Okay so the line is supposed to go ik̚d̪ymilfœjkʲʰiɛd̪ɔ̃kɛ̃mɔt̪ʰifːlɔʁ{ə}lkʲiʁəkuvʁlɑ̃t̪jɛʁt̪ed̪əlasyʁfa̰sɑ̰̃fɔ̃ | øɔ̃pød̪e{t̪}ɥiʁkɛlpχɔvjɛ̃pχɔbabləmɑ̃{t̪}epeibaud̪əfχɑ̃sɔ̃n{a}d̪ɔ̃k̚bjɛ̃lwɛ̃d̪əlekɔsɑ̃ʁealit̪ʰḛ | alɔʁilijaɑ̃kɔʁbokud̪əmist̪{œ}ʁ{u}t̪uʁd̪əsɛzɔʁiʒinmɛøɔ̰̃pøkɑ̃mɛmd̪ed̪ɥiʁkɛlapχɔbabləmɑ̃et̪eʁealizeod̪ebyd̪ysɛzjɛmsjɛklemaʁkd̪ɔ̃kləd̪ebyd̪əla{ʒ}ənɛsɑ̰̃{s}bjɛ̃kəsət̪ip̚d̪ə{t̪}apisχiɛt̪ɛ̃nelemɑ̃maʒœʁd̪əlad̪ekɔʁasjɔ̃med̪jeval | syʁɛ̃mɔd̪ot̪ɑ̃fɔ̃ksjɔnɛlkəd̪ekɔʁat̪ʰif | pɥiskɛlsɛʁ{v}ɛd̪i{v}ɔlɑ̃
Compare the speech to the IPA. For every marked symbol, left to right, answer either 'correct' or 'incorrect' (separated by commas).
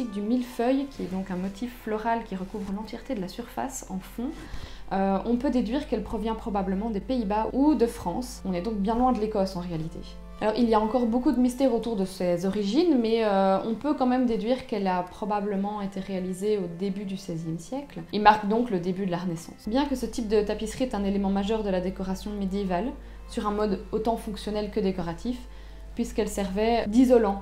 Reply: incorrect, incorrect, incorrect, incorrect, incorrect, incorrect, incorrect, correct, correct, correct, incorrect